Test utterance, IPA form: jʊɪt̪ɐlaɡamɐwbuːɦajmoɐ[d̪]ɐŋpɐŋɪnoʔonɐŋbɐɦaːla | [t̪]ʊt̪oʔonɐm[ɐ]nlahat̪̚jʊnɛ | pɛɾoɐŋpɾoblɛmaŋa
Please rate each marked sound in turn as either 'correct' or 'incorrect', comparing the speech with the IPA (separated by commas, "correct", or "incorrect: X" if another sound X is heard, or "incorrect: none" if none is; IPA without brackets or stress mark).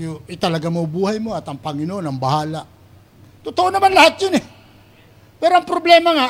incorrect: t̪, correct, incorrect: a